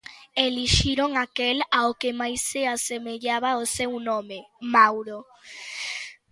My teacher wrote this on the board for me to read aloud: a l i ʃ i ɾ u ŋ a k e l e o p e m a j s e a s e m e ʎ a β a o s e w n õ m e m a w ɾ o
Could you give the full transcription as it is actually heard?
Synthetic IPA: e l i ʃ i ɾ o ŋ a k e l a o k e m a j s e a s e m e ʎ a β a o s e w n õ m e m a w ɾ o